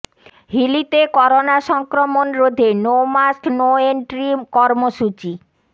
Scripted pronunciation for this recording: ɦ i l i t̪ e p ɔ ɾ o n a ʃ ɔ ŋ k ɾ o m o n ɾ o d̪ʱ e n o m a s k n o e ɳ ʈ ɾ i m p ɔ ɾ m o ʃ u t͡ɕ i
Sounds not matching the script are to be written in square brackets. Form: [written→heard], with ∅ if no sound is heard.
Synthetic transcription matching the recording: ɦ i l i t̪ e [p→k] ɔ ɾ o n a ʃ ɔ ŋ k ɾ o m o n ɾ o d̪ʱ e n o m a s k n o e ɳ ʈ ɾ i m [p→k] ɔ ɾ m o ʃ u t͡ɕ i